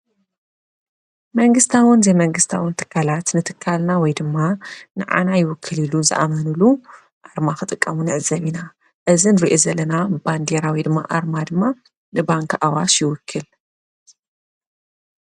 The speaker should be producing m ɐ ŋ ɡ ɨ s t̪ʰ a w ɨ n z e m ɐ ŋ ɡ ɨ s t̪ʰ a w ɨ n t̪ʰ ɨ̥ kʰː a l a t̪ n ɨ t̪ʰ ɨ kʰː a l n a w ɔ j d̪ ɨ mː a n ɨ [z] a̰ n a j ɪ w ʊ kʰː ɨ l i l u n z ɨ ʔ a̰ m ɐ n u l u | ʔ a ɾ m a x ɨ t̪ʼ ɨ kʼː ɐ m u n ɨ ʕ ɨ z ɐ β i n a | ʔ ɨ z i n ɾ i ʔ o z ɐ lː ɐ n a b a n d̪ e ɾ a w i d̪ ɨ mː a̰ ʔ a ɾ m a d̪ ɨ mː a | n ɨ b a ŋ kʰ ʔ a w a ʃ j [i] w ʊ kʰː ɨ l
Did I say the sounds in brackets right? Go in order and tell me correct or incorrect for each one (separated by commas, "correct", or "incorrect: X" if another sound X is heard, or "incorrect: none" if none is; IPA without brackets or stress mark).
incorrect: ʕ, incorrect: ɪ